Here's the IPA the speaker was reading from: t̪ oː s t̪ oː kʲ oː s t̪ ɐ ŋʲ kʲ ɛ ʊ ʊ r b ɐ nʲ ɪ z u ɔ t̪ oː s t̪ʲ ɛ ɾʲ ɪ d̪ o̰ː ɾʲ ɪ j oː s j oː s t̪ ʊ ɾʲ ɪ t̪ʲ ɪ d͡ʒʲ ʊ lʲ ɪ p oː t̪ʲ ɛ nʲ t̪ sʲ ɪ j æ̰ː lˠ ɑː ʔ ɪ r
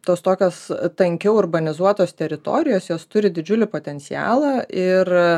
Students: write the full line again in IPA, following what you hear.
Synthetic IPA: t̪ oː s t̪ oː kʲ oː s t̪ ɐ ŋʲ kʲ ɛ ʊ ʊ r b ɐ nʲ ɪ z u ɔ t̪ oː s t̪ʲ ɛ ɾʲ ɪ t̪ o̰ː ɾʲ ɪ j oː s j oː s t̪ ʊ ɾʲ ɪ d̪ʲ ɪ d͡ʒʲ ʊ lʲ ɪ p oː t̪ʲ ɛ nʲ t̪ sʲ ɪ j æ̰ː lˠ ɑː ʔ ɪ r